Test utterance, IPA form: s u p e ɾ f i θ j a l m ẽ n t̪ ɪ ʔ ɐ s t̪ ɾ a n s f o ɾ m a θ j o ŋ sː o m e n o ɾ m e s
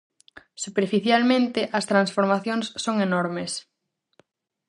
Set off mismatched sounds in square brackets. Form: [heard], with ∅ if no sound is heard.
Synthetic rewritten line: s u p e ɾ f i θ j a l m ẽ n t̪ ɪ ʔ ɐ s t̪ ɾ a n s f o ɾ m a θ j o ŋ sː o [ŋ] e n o ɾ m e s